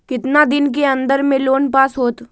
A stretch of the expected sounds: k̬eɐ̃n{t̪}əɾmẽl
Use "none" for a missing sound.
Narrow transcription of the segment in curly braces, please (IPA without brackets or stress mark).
d̪